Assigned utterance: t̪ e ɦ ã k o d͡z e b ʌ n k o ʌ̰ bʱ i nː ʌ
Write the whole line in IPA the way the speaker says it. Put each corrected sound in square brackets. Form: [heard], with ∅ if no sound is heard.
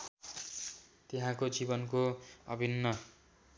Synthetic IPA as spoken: t̪ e ɦ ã k o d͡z [i] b ʌ n k o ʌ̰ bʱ i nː ʌ